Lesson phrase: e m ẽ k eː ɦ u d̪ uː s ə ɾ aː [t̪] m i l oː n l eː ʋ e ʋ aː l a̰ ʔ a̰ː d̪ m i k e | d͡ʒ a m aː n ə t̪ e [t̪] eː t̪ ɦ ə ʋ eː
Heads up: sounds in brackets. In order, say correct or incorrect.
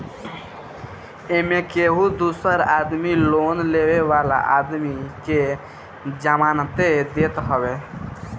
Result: incorrect: d̪, incorrect: d̪

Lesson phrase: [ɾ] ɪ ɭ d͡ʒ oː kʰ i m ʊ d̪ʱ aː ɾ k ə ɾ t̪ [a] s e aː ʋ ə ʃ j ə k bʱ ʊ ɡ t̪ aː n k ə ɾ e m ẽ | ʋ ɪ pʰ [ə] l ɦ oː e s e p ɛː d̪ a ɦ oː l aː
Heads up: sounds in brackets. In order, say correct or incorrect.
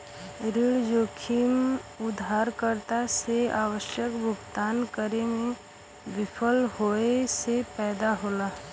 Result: correct, correct, correct

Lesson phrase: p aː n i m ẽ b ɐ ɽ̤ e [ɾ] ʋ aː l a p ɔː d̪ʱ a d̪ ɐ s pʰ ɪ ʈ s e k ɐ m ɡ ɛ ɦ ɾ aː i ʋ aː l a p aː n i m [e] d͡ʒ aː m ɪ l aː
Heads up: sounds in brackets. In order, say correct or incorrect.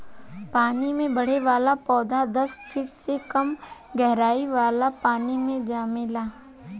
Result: incorrect: none, incorrect: ẽ

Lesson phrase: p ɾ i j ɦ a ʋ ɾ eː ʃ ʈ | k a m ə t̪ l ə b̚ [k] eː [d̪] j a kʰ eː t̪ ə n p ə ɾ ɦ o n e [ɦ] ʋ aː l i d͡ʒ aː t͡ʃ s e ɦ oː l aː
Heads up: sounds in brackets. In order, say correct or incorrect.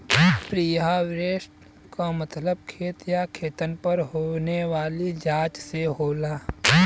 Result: incorrect: kʰ, incorrect: t̪, incorrect: none

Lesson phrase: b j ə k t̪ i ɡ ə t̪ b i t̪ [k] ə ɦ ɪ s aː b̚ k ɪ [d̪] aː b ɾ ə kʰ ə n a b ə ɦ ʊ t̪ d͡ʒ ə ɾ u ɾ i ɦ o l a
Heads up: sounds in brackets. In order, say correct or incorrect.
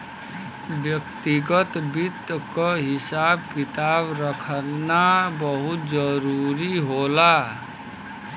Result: correct, incorrect: t̪

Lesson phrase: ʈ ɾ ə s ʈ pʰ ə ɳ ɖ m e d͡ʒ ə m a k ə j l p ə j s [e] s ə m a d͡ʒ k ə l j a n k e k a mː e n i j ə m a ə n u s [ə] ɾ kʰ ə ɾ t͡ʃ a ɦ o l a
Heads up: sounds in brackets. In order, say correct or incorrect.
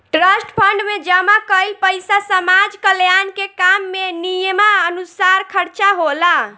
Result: incorrect: a, incorrect: a

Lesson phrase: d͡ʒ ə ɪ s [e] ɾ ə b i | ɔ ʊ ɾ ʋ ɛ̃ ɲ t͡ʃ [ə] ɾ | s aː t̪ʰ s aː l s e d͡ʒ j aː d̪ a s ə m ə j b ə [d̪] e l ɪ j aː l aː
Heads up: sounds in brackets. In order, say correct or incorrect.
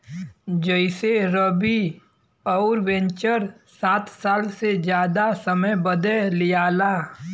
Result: correct, correct, correct

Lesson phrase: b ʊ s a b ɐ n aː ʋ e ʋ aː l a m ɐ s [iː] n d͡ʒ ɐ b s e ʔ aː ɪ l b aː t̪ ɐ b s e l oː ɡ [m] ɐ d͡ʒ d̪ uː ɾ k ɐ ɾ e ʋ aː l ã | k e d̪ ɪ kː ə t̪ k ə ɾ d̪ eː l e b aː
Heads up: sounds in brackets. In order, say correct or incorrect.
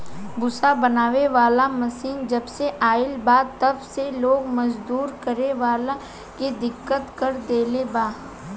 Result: correct, correct

